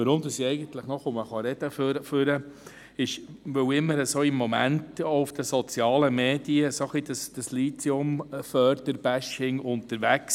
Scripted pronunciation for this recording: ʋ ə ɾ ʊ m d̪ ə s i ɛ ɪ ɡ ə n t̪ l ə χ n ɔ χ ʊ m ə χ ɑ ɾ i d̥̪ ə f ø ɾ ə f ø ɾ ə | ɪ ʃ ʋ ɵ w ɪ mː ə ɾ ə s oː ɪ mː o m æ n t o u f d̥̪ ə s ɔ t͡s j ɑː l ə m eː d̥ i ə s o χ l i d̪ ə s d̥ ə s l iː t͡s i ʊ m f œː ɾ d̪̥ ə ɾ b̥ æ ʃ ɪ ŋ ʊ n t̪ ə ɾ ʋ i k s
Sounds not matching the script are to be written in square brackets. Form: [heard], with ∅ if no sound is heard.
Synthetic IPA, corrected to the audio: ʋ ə ɾ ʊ m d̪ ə s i ɛ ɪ ɡ ə n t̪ l ə χ n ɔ χ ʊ m ə χ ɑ ɾ [ɛ] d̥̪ ə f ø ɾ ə f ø ɾ ə | ɪ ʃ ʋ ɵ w ɪ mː ə ɾ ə s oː ɪ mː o m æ n t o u f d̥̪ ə s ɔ t͡s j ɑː l ə m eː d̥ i ə s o χ l i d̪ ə s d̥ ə s l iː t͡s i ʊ m f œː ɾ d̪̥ ə ɾ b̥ æ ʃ ɪ ŋ ʊ n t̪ ə ɾ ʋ [æ] k s